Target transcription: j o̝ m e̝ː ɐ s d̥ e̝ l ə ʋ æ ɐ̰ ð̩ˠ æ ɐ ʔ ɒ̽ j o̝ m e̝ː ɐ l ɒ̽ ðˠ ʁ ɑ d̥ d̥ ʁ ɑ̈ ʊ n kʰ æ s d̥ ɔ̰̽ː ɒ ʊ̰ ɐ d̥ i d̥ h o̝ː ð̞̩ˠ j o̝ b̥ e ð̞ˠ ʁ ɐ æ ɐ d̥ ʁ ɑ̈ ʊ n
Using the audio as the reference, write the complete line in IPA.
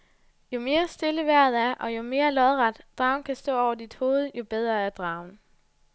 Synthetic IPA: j o̝ m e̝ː ɐ s d̥ e̝ l ə ʋ æ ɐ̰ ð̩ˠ æ ɐ ʔ ɒ̽ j o̝ m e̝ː ɐ l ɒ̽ ðˠ ʁ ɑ d̥ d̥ ʁ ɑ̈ ʊ n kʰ æ s d̥ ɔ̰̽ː ɒ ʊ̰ ɐ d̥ i d̥ h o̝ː ð̞̩ˠ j o̝ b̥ e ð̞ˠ ʁ ɐ æ ɐ d̥ ʁ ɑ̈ ʊ n